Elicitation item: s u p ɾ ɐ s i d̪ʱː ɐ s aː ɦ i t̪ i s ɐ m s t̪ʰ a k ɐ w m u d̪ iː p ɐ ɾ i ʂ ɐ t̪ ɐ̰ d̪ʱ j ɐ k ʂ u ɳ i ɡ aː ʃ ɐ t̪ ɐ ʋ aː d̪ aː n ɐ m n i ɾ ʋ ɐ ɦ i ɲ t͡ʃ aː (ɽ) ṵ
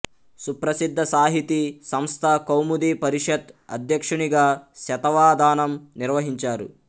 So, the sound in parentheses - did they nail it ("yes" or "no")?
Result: no